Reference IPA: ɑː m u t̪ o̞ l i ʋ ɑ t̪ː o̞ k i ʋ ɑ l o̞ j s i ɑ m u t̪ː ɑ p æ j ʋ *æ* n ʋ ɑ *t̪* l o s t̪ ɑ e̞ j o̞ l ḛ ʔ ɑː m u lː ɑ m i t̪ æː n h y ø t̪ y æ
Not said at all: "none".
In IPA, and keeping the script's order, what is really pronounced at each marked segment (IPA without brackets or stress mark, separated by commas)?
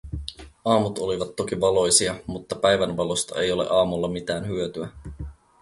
æ, none